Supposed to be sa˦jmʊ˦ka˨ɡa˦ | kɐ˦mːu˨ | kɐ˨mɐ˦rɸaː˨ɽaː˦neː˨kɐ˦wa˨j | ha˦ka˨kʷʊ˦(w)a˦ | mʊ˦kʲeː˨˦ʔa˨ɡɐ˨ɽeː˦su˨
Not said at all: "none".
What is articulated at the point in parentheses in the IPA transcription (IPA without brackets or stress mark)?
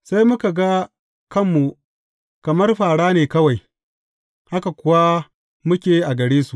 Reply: w